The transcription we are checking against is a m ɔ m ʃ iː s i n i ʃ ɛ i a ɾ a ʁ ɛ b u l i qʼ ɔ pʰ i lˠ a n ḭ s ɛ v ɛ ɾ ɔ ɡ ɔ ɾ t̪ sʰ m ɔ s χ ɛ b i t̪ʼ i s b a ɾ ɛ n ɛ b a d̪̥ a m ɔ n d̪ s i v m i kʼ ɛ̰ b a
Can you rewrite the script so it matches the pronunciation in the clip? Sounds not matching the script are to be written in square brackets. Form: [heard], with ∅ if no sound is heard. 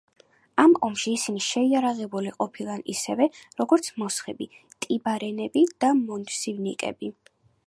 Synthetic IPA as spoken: a m ɔ m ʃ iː s i n i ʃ ɛ i a ɾ a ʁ ɛ b u l i qʼ ɔ pʰ i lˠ a n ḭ s ɛ v ɛ ɾ ɔ ɡ ɔ ɾ t̪ sʰ m ɔ s χ ɛ b i t̪ʼ i [∅] b a ɾ ɛ n ɛ b [i] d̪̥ a m ɔ n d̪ s i v [n] i kʼ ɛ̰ b [i]